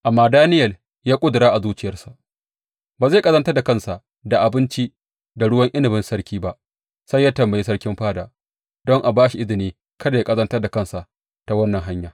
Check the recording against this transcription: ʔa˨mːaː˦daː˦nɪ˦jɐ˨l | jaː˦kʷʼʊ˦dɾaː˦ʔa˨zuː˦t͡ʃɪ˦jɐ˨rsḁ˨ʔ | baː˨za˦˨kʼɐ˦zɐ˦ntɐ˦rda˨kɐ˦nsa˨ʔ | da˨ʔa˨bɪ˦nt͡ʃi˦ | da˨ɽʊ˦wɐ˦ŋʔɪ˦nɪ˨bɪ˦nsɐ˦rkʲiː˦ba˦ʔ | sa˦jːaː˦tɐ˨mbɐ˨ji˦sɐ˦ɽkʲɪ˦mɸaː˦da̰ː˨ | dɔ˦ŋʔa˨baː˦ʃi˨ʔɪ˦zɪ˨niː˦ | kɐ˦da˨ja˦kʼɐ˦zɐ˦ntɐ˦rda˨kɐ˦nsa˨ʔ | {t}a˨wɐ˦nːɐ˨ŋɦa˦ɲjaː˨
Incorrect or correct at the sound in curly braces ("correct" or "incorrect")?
correct